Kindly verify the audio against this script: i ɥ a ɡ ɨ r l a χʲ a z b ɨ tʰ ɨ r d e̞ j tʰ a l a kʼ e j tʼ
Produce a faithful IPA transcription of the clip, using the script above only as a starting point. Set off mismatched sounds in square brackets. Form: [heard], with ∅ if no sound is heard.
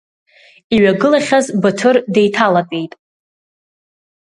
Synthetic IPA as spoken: i ɥ a ɡ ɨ [∅] l a χʲ a z b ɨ tʰ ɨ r d e̞ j tʰ a l a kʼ e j tʼ